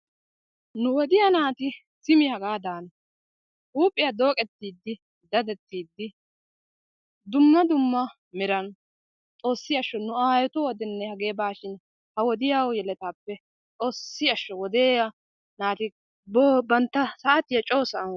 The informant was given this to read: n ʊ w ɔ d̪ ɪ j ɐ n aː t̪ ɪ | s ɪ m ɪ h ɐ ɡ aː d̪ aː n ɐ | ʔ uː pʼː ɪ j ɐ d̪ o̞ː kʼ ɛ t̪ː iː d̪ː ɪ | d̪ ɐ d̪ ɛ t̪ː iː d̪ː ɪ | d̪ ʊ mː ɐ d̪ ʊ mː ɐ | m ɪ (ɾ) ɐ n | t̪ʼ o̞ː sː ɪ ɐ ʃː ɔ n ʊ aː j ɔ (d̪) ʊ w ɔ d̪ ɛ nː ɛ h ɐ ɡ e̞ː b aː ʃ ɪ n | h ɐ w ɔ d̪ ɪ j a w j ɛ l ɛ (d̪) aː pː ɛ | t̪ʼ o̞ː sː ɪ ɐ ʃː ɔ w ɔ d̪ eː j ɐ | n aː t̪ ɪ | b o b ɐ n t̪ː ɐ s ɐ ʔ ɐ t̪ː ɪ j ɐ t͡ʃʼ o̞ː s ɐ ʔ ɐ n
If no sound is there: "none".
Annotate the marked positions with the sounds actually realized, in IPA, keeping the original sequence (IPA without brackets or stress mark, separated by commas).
ɾ, t̪, t̪